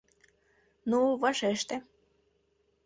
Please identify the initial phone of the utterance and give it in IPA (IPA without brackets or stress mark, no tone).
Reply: n